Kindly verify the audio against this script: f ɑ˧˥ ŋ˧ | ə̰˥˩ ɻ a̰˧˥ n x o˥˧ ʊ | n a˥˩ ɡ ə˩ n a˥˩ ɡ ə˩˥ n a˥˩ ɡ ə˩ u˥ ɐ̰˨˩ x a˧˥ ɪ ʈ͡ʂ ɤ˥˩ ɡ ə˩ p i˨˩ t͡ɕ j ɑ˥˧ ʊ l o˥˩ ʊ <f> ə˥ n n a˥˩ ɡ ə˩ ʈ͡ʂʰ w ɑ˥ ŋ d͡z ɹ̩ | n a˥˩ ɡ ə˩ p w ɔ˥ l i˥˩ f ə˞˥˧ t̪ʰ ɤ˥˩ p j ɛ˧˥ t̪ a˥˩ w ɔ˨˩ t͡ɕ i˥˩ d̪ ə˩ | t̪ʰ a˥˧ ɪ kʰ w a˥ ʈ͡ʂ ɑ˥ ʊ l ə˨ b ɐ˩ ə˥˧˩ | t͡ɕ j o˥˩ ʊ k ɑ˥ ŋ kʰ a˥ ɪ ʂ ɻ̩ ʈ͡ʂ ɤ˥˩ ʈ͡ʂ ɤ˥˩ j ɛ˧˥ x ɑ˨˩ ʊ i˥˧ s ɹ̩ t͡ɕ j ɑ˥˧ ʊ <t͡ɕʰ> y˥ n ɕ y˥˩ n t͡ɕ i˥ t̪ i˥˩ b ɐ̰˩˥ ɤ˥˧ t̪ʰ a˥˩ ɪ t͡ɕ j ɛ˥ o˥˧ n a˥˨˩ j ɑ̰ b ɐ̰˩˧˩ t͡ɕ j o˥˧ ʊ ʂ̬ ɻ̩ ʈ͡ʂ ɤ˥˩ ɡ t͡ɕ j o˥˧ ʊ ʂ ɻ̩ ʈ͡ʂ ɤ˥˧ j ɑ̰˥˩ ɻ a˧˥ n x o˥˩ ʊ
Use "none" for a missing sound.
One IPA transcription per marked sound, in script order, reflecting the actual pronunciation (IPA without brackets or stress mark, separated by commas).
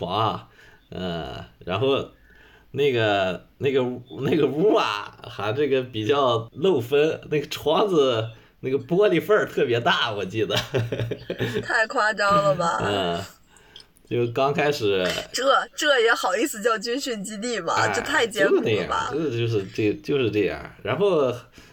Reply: f, t͡ɕ